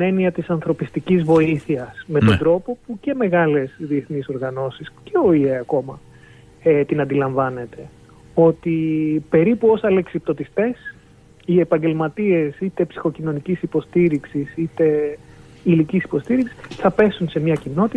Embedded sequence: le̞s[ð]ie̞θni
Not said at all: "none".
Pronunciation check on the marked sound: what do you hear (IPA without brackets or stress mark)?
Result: ð